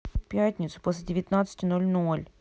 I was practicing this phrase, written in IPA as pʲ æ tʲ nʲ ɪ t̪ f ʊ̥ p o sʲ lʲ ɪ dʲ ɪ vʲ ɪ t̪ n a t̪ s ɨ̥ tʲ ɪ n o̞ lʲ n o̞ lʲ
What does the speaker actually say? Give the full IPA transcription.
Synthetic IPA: pʲ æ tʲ nʲ ɪ t̪ s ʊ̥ p o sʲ lʲ ɪ dʲ ɪ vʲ ɪ t̪ n a t̪ s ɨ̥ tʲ ɪ n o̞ lʲ n o̞ lʲ